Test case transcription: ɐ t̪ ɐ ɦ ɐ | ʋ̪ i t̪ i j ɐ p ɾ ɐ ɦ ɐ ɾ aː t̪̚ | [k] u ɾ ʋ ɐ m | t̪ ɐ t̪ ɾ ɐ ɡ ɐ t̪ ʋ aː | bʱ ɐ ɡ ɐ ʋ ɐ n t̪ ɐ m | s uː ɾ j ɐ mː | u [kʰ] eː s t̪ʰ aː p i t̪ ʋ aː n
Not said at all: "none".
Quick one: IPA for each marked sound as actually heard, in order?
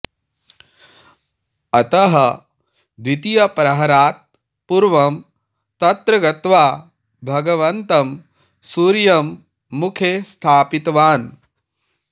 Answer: p, kʰ

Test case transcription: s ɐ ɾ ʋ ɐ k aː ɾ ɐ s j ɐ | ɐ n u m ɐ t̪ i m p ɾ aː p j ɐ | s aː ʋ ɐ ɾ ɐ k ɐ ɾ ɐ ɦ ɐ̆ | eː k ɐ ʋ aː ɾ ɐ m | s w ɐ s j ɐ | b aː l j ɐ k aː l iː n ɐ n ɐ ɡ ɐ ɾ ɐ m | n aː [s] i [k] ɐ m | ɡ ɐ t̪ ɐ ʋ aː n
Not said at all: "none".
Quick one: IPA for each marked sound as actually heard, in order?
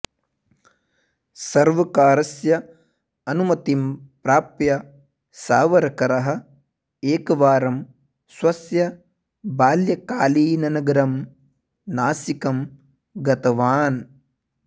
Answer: s, k

